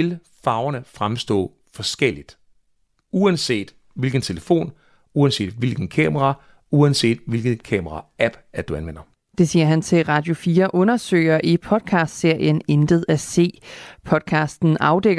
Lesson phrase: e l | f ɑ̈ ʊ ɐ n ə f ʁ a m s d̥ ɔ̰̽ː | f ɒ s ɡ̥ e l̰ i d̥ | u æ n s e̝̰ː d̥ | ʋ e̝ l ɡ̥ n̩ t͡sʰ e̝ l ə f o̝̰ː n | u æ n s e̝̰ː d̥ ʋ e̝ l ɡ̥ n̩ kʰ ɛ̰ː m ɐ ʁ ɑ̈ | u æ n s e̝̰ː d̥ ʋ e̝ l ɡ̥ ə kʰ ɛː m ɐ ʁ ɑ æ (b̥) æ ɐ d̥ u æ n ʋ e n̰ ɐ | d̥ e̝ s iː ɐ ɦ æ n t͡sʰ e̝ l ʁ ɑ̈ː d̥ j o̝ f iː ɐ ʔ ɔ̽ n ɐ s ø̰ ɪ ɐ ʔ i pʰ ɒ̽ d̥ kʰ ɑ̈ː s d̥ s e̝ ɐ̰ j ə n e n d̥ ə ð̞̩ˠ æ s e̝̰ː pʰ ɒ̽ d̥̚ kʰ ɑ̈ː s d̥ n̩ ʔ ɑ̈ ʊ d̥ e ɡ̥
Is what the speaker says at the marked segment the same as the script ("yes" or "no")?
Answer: yes